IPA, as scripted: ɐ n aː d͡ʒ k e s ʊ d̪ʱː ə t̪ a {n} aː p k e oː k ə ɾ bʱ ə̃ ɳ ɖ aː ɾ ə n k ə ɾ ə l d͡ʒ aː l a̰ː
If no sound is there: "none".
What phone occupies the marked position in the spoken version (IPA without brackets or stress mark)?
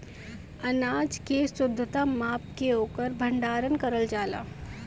m